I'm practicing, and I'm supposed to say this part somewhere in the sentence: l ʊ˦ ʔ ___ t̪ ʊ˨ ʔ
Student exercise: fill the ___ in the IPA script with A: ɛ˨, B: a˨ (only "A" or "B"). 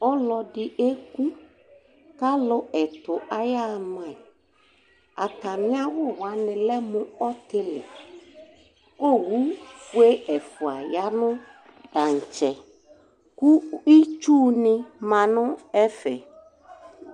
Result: A